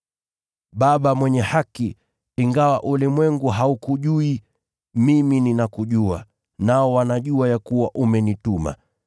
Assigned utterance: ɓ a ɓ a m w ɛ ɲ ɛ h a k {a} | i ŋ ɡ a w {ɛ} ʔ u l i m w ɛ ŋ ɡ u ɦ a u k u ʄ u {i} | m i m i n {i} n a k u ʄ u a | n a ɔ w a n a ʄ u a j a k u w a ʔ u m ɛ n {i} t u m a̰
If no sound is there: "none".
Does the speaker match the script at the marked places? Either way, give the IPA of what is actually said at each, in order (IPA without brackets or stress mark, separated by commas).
i, a, i, i, i